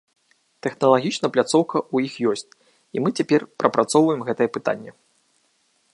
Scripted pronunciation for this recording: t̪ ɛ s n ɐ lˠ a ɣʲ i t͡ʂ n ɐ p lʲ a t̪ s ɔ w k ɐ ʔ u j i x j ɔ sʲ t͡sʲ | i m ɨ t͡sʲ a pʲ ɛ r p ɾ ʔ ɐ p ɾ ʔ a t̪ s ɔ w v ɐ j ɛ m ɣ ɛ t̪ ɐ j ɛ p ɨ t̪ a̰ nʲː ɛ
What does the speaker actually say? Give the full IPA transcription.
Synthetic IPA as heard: t̪ ɛ x n ɐ lˠ a ɣʲ i t͡ʂ n ɐ p lʲ a t̪ s ɔ w k ɐ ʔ u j i x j ɔ sʲ t͡sʲ | i m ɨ t͡sʲ a pʲ ɛ r p ɾ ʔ ɐ p ɾ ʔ a t̪ s ɔ w v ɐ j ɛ m ɣ ɛ t̪ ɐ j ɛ p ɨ t̪ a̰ nʲː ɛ